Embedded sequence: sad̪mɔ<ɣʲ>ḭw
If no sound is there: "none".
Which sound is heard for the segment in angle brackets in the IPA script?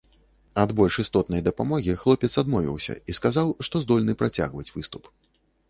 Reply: vʲ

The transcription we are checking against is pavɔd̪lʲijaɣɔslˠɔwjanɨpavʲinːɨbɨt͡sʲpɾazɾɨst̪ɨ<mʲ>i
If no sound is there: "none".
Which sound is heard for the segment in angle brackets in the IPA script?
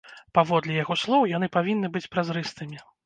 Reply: mʲ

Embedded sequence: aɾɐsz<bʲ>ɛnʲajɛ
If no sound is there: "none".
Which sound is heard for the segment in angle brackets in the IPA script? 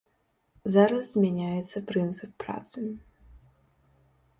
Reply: mʲ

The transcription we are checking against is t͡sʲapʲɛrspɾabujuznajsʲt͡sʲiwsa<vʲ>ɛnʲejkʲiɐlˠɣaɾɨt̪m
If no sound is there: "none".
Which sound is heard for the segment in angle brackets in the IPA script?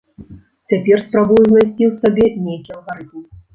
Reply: bʲ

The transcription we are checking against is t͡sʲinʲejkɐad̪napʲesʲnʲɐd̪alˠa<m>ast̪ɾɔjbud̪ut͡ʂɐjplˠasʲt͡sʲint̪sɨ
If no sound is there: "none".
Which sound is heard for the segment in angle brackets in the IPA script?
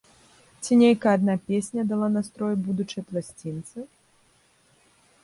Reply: n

